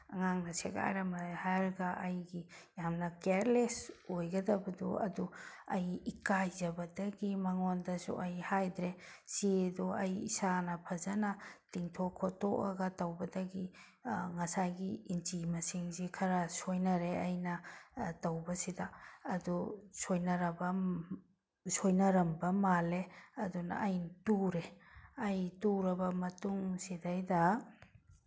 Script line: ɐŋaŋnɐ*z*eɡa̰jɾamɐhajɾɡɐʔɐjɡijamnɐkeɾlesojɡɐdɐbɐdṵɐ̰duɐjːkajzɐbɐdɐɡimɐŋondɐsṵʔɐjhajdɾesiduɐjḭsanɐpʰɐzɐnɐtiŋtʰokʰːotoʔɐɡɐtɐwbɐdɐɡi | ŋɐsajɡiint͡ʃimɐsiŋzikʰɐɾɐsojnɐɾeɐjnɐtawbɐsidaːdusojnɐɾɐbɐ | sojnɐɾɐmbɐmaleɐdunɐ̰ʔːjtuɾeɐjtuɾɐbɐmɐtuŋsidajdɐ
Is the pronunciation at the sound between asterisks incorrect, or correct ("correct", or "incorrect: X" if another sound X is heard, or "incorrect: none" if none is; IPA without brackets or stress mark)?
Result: incorrect: s